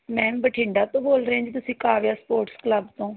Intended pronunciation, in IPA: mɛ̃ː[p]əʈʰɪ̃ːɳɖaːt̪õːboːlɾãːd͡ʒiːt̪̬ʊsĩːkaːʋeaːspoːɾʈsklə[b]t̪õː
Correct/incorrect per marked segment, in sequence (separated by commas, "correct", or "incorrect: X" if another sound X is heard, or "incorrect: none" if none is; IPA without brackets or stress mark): incorrect: b, correct